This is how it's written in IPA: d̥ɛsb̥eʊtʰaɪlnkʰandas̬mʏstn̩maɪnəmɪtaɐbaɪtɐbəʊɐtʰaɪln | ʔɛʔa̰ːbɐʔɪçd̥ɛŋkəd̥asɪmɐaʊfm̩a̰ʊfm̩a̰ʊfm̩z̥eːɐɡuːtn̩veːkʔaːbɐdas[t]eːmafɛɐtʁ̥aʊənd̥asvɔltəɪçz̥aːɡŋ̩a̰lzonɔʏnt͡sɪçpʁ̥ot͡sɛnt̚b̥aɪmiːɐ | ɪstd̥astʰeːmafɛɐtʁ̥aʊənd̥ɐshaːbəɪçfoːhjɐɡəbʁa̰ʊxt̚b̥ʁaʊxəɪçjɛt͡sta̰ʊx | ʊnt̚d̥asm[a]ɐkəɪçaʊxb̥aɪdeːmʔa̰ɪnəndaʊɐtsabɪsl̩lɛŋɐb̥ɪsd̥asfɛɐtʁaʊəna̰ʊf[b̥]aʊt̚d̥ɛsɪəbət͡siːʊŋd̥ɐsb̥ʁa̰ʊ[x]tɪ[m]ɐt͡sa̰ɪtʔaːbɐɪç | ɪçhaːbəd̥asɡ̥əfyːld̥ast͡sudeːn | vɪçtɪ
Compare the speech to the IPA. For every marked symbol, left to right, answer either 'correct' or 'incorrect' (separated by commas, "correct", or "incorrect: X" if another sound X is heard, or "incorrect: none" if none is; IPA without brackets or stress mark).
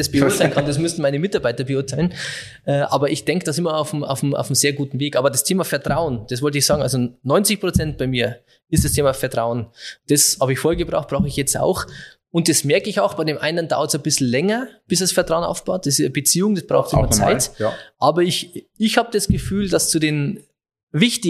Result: incorrect: tʰ, incorrect: ɛ, correct, correct, correct